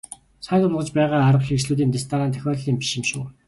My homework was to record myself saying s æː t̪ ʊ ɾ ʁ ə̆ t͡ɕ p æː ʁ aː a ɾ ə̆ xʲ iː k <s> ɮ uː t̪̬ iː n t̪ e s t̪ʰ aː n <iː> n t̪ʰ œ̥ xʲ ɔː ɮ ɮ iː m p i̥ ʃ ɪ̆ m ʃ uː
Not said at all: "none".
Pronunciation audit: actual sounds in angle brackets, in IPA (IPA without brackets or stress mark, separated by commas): s, aː